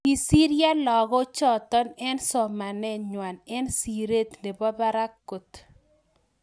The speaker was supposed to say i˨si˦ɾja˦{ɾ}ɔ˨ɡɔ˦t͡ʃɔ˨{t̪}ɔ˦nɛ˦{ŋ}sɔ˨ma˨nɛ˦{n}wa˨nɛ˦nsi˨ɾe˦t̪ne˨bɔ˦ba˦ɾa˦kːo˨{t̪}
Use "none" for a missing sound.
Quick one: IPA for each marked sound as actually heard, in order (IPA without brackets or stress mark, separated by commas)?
l, t̪, n, ɲ, t̪